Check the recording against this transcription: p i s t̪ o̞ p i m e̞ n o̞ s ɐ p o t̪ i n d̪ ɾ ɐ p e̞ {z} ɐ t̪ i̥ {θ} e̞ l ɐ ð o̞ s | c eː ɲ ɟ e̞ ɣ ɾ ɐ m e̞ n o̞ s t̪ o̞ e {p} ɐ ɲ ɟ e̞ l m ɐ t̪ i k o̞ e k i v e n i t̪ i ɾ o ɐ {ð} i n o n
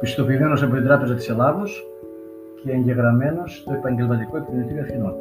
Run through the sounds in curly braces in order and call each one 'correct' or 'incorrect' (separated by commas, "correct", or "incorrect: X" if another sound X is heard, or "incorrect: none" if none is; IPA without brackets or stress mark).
correct, incorrect: s, correct, incorrect: θ